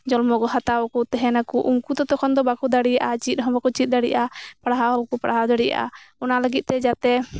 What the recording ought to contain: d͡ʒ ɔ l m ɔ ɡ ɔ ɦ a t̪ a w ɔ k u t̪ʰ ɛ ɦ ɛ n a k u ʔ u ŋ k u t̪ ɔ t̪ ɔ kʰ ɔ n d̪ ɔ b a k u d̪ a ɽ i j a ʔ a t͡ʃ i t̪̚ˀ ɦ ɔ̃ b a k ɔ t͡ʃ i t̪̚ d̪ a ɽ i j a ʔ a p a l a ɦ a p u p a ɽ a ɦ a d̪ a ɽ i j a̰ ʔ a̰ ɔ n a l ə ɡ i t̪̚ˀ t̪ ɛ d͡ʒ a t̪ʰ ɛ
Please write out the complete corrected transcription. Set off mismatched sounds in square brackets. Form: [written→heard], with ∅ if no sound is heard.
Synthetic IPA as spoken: d͡ʒ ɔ l m ɔ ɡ ɔ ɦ a t̪ a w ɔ k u [t̪ʰ→t̪] ɛ ɦ ɛ n a k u ʔ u ŋ k u t̪ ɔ t̪ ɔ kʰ ɔ n d̪ ɔ b a k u d̪ a ɽ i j a ʔ a t͡ʃ i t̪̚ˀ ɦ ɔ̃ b a k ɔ t͡ʃ i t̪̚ d̪ a ɽ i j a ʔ a p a [l→ɽ] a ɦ a [p→k] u p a ɽ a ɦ a d̪ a ɽ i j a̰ ʔ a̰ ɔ n a l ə ɡ i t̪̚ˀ t̪ ɛ d͡ʒ a [t̪ʰ→t̪] ɛ